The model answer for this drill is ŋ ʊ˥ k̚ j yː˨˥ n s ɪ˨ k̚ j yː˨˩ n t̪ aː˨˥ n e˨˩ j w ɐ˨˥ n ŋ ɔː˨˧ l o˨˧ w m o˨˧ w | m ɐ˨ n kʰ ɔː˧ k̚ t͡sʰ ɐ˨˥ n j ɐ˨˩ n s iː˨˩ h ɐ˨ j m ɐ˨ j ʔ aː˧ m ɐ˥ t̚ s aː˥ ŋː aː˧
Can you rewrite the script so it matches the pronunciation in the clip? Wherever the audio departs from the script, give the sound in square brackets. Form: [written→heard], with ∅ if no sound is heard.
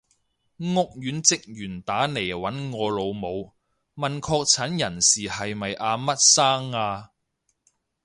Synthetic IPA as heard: ŋ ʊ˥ k̚ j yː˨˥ n [s→t͡s] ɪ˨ k̚ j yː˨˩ n t̪ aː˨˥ n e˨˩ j w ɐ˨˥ n ŋ ɔː˨˧ l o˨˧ w m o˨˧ w | m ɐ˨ n kʰ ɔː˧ k̚ t͡sʰ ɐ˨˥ n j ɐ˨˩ n s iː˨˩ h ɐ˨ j m ɐ˨ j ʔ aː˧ m ɐ˥ t̚ s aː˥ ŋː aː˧